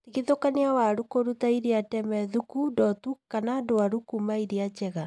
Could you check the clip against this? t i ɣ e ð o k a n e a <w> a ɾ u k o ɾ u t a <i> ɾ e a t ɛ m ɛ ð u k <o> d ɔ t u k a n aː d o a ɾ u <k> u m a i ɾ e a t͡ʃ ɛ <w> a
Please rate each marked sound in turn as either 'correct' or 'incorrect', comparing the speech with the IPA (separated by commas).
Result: correct, correct, incorrect, correct, incorrect